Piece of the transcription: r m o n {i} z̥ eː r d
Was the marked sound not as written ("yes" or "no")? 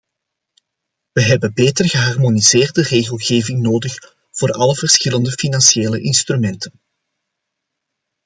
no